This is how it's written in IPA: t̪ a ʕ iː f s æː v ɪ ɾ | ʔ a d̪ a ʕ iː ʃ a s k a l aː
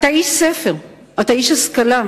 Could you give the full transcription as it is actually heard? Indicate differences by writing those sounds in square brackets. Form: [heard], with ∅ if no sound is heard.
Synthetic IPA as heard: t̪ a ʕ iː [ʃ] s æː [f] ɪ ɾ | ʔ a [t̪] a ʕ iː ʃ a s k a l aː